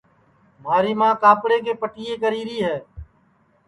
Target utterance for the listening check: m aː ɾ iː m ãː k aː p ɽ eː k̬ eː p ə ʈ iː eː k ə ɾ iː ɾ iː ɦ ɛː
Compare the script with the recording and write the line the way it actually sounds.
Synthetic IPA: m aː ɾ iː m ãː k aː p ɽ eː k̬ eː p ə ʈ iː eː k ə ɾ iː ɾ iː ɦ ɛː